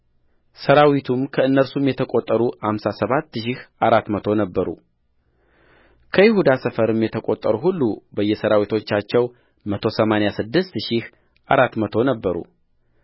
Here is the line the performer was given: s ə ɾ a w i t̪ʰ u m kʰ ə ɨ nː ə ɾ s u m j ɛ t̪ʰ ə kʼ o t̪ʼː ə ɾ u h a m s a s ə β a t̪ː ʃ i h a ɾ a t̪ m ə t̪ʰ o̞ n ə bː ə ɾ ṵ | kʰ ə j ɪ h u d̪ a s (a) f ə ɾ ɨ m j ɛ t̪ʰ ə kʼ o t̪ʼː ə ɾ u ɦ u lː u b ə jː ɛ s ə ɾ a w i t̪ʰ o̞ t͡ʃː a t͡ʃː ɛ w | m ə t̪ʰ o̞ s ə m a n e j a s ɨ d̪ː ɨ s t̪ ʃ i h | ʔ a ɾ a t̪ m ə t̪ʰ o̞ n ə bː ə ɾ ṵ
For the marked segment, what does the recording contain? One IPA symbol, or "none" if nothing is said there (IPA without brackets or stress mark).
ə